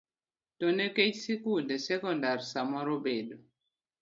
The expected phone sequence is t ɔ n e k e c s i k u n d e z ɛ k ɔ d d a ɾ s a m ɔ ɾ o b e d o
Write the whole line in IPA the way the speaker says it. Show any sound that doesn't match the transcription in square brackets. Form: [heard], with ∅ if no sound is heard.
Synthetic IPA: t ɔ n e k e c s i k u n d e [s] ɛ k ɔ [n] d a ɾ s a m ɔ ɾ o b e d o